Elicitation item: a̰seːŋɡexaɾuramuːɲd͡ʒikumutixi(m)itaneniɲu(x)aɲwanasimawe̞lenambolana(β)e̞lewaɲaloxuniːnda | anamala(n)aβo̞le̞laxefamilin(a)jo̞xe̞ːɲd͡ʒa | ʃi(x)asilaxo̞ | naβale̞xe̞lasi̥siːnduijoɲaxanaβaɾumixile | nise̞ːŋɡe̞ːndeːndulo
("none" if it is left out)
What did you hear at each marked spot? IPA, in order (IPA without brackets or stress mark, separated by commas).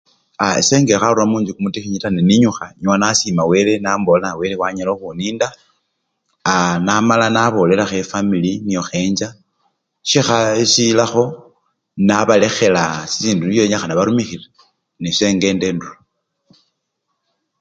ɲ, x, w, n, i, x